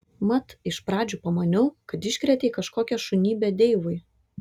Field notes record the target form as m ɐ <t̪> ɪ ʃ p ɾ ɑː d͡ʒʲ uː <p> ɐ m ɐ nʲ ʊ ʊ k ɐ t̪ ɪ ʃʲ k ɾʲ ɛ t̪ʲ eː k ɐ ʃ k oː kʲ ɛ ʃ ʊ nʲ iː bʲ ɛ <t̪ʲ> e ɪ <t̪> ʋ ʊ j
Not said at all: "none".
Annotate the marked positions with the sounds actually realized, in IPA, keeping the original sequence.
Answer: t̪, p, d̪ʲ, none

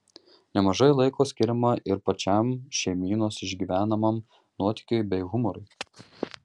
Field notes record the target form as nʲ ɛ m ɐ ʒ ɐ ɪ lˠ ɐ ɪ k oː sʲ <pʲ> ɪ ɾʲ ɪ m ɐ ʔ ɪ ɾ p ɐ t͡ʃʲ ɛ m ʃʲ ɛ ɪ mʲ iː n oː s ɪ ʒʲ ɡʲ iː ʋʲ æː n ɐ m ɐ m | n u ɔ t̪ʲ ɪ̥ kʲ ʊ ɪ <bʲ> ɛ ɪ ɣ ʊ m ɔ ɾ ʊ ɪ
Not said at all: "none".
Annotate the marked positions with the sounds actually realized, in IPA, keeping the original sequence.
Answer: kʲ, bʲ

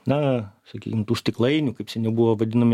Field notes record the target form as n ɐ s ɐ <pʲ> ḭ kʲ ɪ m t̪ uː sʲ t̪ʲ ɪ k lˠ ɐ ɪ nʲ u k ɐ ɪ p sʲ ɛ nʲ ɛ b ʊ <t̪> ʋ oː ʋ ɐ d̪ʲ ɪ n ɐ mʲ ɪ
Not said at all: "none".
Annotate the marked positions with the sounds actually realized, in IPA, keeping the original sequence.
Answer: kʲ, none

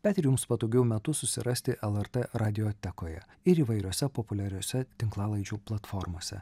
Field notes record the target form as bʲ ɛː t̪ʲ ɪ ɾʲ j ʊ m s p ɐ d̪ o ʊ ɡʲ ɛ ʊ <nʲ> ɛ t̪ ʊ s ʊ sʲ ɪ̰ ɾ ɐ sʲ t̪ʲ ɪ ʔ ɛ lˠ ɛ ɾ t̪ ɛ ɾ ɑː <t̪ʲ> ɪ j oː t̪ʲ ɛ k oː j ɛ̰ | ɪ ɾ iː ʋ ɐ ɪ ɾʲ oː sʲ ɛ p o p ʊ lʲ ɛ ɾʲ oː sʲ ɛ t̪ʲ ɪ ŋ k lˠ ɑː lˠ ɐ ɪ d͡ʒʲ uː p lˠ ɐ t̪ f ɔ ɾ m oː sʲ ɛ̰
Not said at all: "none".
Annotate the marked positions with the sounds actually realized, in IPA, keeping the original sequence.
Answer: mʲ, d̪ʲ

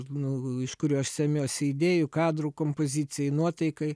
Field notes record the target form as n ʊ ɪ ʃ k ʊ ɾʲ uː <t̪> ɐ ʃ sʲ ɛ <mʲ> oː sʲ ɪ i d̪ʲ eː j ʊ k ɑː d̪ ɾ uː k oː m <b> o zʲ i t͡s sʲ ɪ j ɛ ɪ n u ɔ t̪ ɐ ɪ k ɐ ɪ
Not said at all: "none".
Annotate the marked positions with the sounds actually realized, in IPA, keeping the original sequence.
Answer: none, mʲ, p

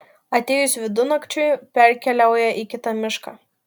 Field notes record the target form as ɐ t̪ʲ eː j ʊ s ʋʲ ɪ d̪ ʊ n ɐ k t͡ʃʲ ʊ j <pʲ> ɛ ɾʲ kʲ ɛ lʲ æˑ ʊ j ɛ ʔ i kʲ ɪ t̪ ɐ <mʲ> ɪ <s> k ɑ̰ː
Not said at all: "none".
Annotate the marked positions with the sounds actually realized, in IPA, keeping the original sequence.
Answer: pʲ, mʲ, ʃ

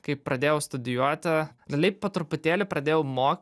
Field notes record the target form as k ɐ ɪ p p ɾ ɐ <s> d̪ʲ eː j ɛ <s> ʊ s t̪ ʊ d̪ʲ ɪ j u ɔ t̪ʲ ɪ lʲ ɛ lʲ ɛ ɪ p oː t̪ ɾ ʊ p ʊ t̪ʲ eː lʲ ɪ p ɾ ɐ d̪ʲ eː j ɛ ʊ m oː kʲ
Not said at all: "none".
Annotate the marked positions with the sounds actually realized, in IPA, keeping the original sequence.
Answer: none, none

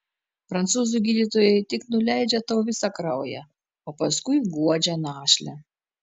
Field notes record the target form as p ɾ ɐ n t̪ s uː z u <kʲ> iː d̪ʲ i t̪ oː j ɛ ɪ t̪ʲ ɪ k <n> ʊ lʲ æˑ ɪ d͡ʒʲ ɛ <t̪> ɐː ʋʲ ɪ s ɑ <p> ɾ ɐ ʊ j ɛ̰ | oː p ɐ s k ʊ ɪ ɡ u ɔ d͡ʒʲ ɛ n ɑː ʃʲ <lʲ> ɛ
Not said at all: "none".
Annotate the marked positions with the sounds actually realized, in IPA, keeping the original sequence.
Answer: ɡʲ, n, t̪, k, lʲ

